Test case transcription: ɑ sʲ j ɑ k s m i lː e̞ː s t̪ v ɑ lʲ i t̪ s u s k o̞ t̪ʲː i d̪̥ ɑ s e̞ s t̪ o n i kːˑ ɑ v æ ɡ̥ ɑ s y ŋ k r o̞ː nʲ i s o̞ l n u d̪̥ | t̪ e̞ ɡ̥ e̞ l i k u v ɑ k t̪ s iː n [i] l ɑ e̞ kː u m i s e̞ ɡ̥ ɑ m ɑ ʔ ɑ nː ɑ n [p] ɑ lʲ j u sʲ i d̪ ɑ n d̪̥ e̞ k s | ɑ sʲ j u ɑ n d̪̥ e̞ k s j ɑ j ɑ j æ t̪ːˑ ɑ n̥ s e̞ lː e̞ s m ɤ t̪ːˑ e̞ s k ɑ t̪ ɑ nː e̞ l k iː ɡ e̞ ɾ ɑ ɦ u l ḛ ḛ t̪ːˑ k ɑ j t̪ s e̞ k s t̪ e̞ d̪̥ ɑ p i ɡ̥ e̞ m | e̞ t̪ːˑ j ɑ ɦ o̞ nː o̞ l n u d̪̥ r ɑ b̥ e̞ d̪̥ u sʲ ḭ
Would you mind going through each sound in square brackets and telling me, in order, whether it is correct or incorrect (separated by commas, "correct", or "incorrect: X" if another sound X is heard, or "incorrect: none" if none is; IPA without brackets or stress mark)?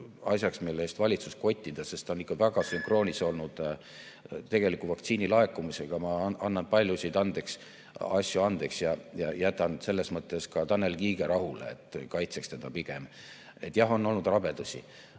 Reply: correct, correct